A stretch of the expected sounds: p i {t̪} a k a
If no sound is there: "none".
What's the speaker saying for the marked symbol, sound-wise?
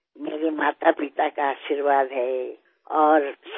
t̪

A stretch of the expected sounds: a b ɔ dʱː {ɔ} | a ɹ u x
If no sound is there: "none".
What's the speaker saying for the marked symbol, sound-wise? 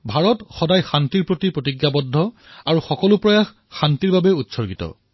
ɔ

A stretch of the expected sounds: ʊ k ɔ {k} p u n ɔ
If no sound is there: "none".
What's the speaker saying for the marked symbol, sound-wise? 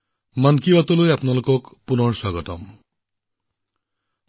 k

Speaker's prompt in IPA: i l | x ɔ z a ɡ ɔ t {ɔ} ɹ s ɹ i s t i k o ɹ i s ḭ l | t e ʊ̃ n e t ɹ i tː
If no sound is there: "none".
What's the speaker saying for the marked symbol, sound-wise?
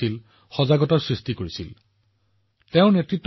ɔ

